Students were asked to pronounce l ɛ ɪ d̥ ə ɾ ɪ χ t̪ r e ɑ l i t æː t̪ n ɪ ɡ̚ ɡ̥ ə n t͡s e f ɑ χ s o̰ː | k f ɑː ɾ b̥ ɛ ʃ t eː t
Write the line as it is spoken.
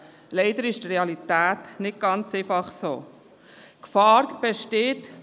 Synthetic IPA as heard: l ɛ ɪ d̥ ə ɾ ɪ ʃ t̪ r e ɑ l i t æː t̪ n ɪ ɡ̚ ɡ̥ ɑ n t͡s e f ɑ χ s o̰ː | k f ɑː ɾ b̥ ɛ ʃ t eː t